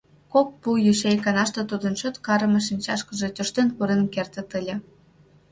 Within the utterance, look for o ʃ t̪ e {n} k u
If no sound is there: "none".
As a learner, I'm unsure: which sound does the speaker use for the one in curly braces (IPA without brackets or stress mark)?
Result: n